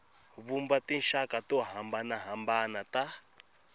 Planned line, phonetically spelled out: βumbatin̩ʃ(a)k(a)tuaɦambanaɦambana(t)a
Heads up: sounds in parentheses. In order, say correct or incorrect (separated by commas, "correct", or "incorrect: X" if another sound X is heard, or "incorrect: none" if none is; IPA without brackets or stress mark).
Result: correct, correct, correct